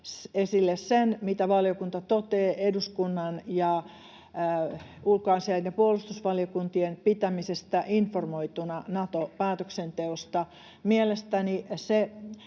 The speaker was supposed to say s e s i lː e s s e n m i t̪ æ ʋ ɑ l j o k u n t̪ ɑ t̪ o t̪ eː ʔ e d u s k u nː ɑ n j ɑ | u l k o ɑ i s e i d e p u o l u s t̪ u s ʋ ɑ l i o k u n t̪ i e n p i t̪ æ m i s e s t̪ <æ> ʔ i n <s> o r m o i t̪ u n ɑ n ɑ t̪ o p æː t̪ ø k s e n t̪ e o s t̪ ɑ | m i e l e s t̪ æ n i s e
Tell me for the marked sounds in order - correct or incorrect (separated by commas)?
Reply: correct, incorrect